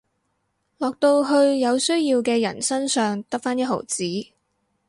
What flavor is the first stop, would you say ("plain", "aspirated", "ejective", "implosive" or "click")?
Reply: plain